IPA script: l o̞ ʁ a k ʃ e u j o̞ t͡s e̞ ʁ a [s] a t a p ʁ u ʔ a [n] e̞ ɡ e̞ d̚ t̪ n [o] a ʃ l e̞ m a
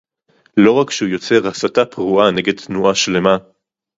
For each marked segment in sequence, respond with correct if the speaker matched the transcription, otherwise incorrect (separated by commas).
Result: correct, correct, incorrect